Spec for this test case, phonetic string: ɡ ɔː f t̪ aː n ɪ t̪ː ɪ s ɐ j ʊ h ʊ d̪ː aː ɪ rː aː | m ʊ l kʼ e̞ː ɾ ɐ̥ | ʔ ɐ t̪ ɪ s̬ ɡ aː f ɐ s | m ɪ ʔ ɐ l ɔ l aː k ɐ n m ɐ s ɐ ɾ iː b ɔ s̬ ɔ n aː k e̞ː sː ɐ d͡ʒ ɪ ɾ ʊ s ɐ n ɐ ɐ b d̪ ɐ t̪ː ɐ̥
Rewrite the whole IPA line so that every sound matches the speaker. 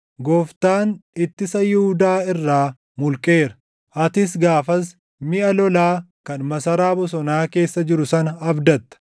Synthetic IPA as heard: ɡ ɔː f t̪ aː n ɪ t̪ː ɪ s ɐ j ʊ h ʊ d̪ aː ɪ rː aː | m ʊ l kʼ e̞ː ɾ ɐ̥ | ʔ ɐ t̪ ɪ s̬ ɡ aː f ɐ s | m ɪ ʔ ɐ l ɔ l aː k ɐ n m ɐ s ɐ ɾ aː b ɔ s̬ ɔ n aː k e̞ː sː ɐ d͡ʒ ɪ ɾ ʊ s ɐ n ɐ ɐ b d̪ ɐ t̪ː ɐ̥